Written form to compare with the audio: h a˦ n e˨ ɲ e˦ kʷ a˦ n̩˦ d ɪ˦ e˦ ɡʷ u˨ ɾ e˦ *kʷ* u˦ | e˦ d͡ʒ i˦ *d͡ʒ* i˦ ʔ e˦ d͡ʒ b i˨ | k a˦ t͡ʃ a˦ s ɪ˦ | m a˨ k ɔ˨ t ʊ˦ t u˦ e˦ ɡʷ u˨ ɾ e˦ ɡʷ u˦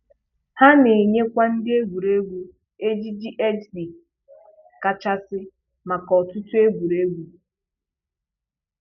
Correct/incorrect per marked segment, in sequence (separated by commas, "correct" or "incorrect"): incorrect, correct